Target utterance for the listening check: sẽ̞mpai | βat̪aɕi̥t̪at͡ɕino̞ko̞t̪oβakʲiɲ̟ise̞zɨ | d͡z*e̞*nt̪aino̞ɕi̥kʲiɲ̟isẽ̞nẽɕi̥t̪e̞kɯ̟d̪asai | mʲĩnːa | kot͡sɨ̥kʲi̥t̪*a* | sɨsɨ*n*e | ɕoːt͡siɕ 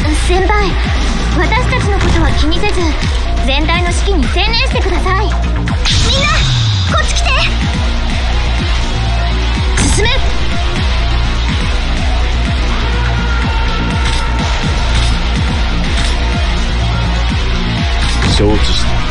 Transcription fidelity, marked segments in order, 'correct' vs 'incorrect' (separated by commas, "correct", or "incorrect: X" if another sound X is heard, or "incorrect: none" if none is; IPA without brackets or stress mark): incorrect: ẽ̞, incorrect: e, incorrect: m